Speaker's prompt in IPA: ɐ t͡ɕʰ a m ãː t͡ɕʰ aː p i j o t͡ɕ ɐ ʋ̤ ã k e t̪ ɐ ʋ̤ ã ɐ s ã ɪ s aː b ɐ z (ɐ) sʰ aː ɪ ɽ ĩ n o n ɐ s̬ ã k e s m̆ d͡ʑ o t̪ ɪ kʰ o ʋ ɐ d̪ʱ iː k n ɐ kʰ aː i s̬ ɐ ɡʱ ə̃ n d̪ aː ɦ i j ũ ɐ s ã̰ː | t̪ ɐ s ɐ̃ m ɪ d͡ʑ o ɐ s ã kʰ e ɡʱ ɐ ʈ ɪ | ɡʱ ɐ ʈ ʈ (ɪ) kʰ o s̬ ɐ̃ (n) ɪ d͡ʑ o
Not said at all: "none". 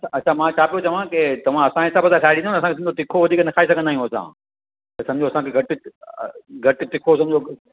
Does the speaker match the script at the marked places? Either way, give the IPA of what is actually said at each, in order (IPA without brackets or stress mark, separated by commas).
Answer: a, ɪ, m